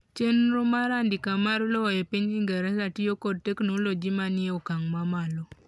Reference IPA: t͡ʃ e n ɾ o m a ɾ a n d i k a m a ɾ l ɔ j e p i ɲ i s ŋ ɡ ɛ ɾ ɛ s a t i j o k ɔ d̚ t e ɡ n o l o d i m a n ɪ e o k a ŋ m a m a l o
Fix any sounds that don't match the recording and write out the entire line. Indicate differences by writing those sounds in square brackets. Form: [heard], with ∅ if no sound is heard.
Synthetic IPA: t͡ʃ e n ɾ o m a ɾ a n d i k a m a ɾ l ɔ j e p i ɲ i [∅] ŋ ɡ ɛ ɾ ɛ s a t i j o k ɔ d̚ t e [k] n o l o [d͡ʒ] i m a n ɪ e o k a ŋ m a m a l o